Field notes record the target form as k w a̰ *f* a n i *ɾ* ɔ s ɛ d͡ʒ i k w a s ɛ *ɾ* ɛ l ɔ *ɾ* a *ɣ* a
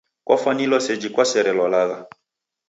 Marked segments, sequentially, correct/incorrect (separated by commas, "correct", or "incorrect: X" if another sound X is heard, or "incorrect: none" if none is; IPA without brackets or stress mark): correct, incorrect: l, correct, incorrect: l, correct